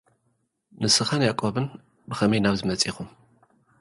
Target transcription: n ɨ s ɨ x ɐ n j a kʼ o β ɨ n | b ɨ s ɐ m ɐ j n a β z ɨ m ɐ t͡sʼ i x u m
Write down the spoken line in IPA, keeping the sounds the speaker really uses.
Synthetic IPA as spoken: n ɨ s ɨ x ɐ n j a kʼ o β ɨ n | b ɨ x ɐ m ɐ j n a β z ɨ m ɐ t͡sʼ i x u m